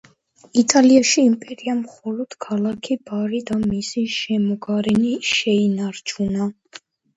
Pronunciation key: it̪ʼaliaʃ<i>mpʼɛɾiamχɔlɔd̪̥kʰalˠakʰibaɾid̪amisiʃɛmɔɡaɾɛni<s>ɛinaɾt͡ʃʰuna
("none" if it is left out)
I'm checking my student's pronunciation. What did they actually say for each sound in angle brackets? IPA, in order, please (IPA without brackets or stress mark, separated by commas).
iː, ʃ